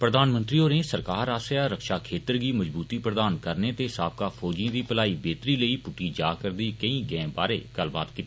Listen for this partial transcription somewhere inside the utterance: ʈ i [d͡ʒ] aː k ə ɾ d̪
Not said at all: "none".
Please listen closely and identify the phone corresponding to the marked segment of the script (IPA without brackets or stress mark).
d͡ʒ